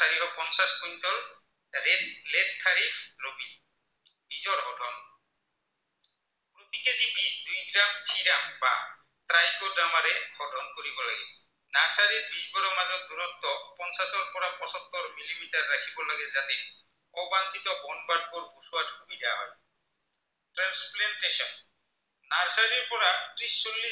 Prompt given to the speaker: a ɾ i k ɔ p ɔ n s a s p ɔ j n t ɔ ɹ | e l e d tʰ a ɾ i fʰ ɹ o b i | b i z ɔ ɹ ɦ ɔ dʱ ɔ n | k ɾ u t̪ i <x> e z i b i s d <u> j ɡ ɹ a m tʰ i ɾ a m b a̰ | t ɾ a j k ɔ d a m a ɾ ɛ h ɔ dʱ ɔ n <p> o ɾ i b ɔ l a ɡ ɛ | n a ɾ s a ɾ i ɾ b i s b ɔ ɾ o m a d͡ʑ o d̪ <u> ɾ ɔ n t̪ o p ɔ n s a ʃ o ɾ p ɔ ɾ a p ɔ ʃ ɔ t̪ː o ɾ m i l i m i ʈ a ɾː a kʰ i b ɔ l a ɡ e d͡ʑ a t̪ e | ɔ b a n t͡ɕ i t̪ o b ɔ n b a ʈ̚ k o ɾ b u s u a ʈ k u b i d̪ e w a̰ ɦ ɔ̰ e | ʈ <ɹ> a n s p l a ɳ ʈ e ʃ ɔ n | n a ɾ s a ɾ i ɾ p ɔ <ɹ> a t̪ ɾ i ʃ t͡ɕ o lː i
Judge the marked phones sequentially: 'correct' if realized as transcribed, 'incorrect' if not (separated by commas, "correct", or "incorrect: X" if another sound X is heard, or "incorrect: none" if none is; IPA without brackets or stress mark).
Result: incorrect: k, correct, incorrect: k, correct, incorrect: ɾ, incorrect: ɾ